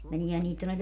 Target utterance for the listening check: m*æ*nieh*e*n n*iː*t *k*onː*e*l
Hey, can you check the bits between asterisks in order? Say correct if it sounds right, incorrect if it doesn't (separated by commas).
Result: incorrect, incorrect, correct, incorrect, correct